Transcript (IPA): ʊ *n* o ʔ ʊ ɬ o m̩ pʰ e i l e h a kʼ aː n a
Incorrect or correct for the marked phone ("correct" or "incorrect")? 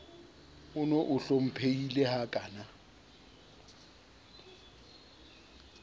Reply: correct